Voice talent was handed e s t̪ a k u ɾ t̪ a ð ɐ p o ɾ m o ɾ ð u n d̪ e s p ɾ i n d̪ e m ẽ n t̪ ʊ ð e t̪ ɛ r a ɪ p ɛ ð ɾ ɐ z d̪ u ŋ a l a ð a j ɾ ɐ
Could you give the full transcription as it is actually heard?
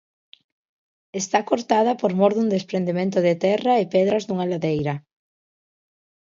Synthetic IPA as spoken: e s t̪ a k o ɾ t̪ a ð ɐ p o ɾ m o ɾ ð u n d̪ e s p ɾ e n d̪ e m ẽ n t̪ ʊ ð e t̪ ɛ r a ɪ p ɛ ð ɾ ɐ z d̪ u ŋ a l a ð e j ɾ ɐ